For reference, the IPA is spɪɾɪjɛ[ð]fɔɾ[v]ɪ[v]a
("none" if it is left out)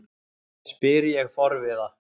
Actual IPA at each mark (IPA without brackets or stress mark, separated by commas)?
ɣ, v, ð